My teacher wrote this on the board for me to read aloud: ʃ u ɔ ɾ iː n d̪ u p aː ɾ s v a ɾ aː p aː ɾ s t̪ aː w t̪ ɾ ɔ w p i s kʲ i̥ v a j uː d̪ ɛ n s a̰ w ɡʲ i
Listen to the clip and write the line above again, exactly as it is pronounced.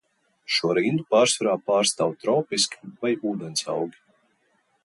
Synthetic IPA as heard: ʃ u ɔ ɾ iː n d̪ u p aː ɾ s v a ɾ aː p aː ɾ s t̪ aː w t̪ ɾ ɔ w p i s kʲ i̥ v a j uː d̪ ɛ n s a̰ w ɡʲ i